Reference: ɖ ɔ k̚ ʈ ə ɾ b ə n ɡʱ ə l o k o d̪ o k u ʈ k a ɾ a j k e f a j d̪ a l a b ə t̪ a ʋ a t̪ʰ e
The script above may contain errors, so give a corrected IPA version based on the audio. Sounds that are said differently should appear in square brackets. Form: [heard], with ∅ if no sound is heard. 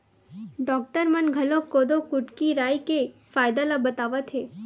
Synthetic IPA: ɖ ɔ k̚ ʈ ə ɾ [m] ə n ɡʱ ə l o k o d̪ o k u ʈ k [i] ɾ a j k e f a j d̪ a l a b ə t̪ a ʋ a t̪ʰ e